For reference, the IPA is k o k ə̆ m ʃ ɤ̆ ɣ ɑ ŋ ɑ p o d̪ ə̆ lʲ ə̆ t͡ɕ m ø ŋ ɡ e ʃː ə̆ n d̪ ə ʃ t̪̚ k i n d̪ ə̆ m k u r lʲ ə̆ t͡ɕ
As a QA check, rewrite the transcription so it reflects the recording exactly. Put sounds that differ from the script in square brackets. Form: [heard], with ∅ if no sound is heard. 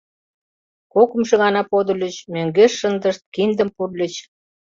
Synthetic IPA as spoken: k o k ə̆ m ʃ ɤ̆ ɣ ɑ [n] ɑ p o d̪ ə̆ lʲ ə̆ t͡ɕ m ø ŋ ɡ e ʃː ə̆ n d̪ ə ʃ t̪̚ k i n d̪ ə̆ m [p] u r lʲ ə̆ t͡ɕ